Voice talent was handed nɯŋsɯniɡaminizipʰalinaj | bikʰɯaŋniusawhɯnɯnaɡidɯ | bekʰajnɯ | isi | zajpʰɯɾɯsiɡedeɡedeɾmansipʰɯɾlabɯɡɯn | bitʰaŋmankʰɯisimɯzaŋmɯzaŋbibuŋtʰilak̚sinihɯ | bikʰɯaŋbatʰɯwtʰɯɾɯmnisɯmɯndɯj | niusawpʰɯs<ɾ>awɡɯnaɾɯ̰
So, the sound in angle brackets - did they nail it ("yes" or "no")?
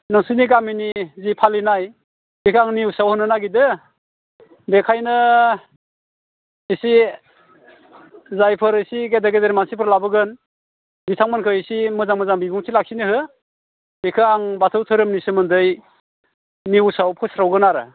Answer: yes